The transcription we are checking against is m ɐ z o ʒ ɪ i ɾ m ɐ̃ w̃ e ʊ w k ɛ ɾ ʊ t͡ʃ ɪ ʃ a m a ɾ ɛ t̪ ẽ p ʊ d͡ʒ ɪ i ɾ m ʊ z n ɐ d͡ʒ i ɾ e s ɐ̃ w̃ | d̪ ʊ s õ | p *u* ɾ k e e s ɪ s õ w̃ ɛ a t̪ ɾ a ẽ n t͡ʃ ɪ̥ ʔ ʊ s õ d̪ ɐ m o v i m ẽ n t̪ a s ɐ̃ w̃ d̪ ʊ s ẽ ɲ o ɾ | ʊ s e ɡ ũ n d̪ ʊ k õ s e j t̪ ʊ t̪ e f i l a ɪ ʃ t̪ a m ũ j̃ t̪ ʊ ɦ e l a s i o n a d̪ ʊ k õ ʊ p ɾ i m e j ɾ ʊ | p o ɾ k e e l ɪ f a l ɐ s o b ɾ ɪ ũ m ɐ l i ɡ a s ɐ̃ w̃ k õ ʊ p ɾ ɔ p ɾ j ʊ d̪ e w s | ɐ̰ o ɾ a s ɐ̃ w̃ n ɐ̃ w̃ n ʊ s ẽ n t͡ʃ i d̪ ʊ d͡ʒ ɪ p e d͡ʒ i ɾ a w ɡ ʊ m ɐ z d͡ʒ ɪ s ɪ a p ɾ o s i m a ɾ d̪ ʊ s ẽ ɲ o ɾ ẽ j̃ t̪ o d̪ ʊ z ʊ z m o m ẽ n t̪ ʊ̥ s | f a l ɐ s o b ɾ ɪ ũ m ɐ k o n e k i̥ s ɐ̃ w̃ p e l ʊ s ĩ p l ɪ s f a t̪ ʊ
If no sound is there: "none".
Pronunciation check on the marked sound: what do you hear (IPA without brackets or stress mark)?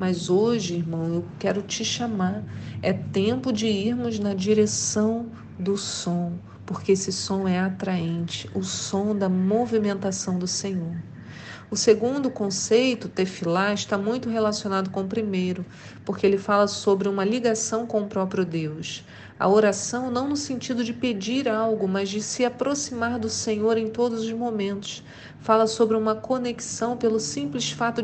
o